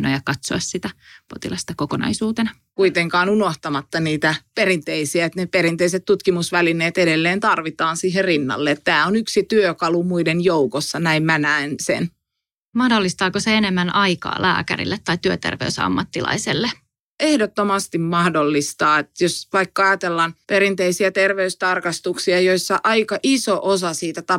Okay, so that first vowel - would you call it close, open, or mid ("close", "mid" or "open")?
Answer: mid